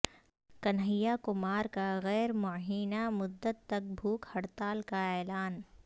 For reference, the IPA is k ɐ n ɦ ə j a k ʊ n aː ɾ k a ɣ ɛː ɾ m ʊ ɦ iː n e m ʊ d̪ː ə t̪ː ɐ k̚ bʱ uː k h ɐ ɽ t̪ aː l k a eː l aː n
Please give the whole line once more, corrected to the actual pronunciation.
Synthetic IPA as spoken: k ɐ n ɦ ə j a k ʊ m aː ɾ k a ɣ ɛː ɾ m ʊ ɦ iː n a m ʊ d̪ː ə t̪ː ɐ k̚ bʱ uː k h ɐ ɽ t̪ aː l k a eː l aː n